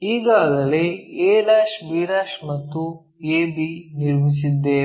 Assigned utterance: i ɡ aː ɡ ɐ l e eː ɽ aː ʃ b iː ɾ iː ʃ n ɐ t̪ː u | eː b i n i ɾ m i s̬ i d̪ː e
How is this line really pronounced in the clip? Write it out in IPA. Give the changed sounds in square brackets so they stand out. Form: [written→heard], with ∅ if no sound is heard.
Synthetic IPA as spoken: [i→iː] ɡ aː ɡ ɐ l e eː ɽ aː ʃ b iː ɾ [iː→aː] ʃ [n→m] ɐ t̪ː u | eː b i n i ɾ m i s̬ i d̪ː e